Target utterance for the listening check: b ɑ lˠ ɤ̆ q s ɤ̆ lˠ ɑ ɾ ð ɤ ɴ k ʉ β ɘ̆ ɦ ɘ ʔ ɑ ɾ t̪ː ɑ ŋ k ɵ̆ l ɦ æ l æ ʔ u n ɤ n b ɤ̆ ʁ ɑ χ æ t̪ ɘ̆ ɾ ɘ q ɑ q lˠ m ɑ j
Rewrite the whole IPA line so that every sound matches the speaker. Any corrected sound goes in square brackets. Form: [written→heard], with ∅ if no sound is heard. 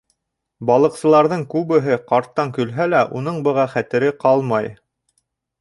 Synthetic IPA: b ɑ lˠ ɤ̆ q s ɤ̆ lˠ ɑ ɾ ð ɤ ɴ k ʉ β ɘ̆ ɦ ɘ [ʔ→q] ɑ ɾ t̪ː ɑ ŋ k ɵ̆ l ɦ æ l æ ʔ u n ɤ [n→ɴ] b ɤ̆ ʁ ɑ χ æ t̪ ɘ̆ ɾ ɘ q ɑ [q→∅] lˠ m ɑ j

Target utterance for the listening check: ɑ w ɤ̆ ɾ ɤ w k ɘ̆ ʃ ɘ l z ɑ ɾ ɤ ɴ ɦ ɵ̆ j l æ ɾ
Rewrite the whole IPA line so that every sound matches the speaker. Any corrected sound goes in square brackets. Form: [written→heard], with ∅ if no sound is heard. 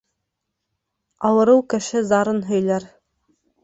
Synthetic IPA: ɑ w ɤ̆ ɾ ɤ w k ɘ̆ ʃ ɘ [l→∅] z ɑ ɾ ɤ [ɴ→n] ɦ ɵ̆ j l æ ɾ

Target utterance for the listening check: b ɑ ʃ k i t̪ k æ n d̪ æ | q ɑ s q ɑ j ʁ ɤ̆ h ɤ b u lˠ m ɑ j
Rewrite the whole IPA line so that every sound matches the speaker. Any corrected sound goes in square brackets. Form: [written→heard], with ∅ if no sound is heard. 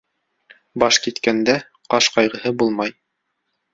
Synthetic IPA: b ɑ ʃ k i t̪ k æ n d̪ æ | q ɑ [s→ʃ] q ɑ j ʁ ɤ̆ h ɤ b u lˠ m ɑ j

